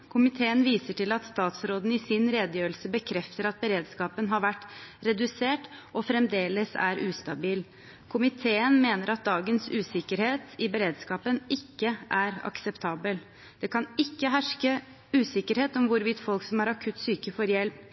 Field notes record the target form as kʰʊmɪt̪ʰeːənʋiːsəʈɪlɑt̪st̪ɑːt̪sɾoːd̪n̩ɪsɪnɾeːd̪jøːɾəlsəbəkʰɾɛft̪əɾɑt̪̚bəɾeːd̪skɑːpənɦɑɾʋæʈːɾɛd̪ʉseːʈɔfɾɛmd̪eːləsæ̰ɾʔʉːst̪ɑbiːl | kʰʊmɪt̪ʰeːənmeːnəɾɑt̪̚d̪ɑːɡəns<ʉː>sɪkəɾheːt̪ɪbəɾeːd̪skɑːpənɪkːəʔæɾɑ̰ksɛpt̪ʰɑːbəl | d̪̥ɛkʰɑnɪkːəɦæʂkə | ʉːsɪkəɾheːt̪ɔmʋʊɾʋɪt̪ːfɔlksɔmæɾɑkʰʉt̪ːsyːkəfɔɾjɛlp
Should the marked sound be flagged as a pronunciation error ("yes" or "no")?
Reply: no